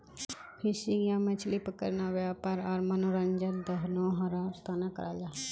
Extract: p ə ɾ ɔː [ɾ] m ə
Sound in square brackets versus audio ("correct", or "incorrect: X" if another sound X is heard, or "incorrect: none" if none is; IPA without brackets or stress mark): correct